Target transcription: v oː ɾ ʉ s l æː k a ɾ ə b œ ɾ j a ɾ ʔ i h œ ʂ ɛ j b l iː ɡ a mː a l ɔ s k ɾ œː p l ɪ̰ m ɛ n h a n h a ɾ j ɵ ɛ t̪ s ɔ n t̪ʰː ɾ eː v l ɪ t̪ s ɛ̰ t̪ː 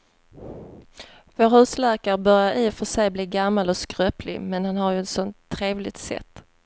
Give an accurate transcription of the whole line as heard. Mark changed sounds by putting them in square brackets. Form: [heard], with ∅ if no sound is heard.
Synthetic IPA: v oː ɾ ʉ s l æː k a ɾ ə b œ ɾ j a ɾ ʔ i [f] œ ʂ ɛ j b l iː ɡ a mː a l ɔ s k ɾ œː p l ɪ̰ m ɛ n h a n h a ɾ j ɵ ɛ t̪ s ɔ n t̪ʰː ɾ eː v l ɪ t̪ s ɛ̰ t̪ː

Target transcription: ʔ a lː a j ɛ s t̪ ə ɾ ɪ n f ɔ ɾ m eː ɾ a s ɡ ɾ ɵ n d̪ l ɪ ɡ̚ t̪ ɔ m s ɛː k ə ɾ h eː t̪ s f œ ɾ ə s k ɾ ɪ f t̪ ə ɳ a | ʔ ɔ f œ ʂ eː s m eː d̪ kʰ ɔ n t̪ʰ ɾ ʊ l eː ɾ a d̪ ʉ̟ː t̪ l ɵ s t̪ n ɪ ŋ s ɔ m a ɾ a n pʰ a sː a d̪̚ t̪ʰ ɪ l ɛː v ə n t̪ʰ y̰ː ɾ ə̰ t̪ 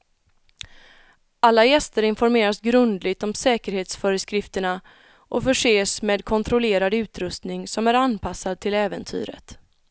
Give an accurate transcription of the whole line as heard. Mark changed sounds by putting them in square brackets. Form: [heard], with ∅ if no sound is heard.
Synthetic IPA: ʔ a lː a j ɛ s t̪ ə ɾ ɪ n f ɔ ɾ m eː ɾ a s ɡ ɾ ɵ n d̪ l ɪ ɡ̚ t̪ ɔ m s ɛː k ə ɾ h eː t̪ s f œ ɾ ə s k ɾ ɪ f t̪ ə ɳ a | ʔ ɔ f œ ʂ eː s m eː d̪ kʰ ɔ n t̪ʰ ɾ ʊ l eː ɾ a d̪ ʉ̟ː t̪ [ɾ] ɵ s t̪ n ɪ ŋ s ɔ m [æ] ɾ a n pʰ a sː a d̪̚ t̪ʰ ɪ l ɛː v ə n t̪ʰ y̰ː ɾ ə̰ t̪

